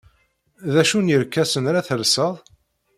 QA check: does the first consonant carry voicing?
yes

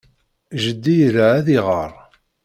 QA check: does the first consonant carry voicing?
yes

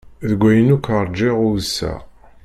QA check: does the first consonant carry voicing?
yes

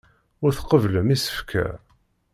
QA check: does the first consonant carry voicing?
yes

